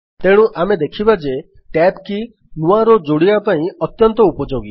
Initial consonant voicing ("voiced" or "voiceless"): voiceless